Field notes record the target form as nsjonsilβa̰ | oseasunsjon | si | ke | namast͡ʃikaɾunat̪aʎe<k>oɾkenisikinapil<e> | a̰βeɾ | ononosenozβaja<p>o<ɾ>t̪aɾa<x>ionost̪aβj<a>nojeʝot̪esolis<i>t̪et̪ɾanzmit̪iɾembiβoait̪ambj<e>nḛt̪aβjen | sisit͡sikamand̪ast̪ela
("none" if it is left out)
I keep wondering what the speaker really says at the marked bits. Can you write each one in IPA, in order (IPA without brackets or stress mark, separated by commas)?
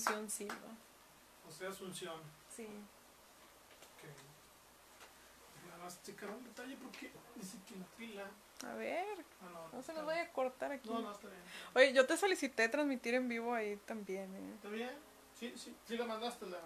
p, a, k, ɾ, k, e, i, e